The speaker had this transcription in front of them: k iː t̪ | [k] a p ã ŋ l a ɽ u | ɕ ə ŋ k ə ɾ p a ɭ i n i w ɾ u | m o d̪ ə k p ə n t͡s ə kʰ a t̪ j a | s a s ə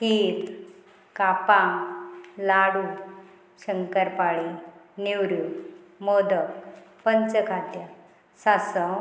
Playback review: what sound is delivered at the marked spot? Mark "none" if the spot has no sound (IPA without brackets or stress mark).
k